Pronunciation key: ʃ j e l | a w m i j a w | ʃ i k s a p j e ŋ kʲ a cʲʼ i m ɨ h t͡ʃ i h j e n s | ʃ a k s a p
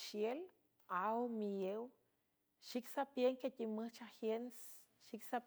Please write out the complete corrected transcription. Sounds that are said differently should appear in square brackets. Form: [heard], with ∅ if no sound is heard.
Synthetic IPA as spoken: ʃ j e l | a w m i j [e] w | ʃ i k s a p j e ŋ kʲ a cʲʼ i m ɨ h t͡ʃ [a] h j e n s | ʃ [i] k s a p